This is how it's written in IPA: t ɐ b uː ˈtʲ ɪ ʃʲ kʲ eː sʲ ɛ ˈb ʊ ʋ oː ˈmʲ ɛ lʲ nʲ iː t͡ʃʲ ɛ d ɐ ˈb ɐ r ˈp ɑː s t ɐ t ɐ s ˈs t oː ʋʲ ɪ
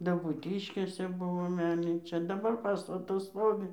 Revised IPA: d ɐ b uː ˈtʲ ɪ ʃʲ kʲ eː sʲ ɛ ˈb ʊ ʋ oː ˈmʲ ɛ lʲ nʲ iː t͡ʃʲ ɛ d ɐ ˈb ɐ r ˈp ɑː s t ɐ t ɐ s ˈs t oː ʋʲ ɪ